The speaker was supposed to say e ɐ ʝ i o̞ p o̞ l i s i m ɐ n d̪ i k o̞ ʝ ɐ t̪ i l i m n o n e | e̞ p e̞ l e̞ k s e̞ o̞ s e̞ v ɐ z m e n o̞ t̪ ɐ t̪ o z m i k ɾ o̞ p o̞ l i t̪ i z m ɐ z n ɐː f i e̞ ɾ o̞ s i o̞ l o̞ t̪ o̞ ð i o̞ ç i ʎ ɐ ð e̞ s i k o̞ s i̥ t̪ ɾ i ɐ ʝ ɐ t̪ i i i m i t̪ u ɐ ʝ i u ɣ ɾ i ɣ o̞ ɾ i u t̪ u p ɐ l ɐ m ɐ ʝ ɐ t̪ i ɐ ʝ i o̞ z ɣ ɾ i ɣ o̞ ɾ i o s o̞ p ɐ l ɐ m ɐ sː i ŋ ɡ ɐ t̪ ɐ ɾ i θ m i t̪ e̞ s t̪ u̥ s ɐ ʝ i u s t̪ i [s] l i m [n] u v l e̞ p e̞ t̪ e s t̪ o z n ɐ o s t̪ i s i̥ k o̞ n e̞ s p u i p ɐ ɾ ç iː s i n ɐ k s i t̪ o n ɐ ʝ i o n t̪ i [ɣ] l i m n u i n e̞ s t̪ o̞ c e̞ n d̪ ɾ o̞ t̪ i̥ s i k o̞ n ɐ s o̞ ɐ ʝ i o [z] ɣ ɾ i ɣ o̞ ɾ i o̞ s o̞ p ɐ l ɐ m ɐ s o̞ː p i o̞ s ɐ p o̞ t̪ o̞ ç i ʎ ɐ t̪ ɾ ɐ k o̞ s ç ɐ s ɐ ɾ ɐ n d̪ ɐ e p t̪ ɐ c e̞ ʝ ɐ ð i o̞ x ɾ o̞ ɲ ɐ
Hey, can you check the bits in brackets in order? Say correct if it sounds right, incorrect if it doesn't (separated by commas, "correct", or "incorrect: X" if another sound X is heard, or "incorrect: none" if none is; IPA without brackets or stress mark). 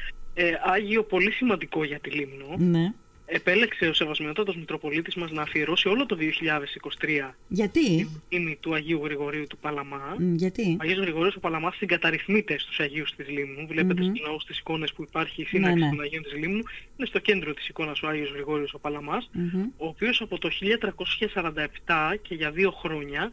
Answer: incorrect: z, correct, incorrect: z, correct